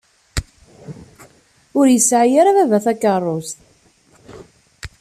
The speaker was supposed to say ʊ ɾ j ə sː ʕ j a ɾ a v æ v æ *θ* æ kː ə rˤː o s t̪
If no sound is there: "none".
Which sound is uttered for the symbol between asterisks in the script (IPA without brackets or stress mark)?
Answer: θ